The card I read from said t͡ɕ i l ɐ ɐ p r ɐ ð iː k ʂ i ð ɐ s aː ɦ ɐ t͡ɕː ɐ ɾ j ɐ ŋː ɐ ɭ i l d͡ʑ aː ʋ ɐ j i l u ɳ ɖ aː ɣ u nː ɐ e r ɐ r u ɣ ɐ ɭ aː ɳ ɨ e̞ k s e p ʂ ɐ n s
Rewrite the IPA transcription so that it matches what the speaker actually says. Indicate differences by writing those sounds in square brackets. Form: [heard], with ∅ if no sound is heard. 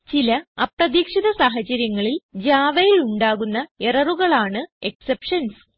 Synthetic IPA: t͡ɕ i l ɐ ɐ p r ɐ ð iː k ʂ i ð ɐ s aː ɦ ɐ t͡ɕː ɐ ɾ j ɐ ŋː ɐ ɭ i l d͡ʑ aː ʋ ɐ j i l u ɳ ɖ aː ɣ u nː ɐ e r ɐ r u ɣ ɐ ɭ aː ɳ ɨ e̞ k s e p ʂ ɐ n s